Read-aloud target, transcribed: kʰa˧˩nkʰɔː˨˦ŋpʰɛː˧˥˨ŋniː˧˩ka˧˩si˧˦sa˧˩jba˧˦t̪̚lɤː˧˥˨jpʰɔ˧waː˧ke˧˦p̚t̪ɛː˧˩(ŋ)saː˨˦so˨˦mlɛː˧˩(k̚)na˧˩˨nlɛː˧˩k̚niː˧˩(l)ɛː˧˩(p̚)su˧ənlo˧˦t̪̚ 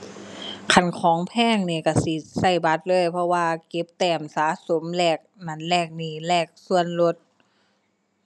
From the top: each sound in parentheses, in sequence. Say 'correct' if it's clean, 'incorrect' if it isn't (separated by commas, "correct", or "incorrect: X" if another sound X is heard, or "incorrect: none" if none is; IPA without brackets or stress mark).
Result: incorrect: m, correct, correct, incorrect: k̚